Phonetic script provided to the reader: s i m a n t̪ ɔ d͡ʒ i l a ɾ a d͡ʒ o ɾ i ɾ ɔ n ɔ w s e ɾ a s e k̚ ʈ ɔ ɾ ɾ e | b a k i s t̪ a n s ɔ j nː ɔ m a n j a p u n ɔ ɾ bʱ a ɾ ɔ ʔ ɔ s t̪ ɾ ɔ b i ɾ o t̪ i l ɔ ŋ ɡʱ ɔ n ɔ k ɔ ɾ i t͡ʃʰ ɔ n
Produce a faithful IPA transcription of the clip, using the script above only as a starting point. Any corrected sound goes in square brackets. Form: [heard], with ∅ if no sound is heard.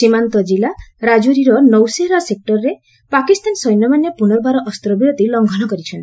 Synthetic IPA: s i m a n t̪ ɔ d͡ʒ i l a ɾ a d͡ʒ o ɾ i ɾ ɔ n ɔ w s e ɾ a s e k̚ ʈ ɔ ɾ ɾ e | [p] a k i s t̪ a n s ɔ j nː ɔ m a n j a p u n ɔ ɾ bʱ a ɾ ɔ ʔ ɔ s t̪ ɾ ɔ b i ɾ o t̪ i l ɔ ŋ ɡʱ ɔ n ɔ k ɔ ɾ i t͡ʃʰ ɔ n

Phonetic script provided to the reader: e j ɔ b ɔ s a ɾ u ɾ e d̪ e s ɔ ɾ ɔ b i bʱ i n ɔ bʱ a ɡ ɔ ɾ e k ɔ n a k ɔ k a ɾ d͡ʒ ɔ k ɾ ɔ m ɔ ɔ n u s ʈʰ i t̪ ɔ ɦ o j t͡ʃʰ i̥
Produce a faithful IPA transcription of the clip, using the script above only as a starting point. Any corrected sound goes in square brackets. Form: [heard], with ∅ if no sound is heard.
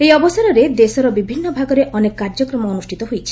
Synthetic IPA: e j ɔ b ɔ s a ɾ [ɔ] ɾ e d̪ e s ɔ ɾ ɔ b i bʱ i [nː] ɔ bʱ a ɡ ɔ ɾ e [ʔ] ɔ n [e] k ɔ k a ɾ d͡ʒ ɔ k ɾ ɔ m ɔ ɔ n u s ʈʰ i t̪ ɔ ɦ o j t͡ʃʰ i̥

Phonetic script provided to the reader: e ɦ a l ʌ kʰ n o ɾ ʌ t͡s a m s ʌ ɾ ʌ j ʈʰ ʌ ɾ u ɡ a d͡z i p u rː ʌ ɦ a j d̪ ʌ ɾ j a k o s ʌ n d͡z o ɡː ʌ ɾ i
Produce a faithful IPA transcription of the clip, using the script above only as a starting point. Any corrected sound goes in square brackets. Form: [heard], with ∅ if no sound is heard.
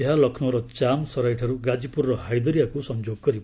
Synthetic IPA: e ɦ a l ʌ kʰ n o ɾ ʌ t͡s a m s ʌ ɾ [a] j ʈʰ ʌ ɾ u ɡ a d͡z i p u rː ʌ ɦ a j d̪ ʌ ɾ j a k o s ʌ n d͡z o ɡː ʌ ɾ i

